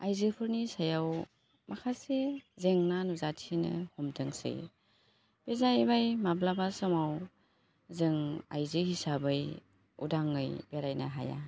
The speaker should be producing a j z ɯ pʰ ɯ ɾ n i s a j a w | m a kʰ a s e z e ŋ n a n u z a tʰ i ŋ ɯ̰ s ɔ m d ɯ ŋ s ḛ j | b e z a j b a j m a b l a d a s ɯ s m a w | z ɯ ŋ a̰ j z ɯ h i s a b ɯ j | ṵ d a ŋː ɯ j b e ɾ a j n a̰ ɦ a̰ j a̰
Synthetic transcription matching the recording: a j z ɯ pʰ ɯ ɾ n i s a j a w | m a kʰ a s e z e ŋ n a n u z a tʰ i n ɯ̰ h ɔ m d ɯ ŋ s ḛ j | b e z a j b a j m a b l a b a s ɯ m a w | z ɯ ŋ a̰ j z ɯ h i s a b ɯ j | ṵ d a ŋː ɯ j b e ɾ a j n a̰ ɦ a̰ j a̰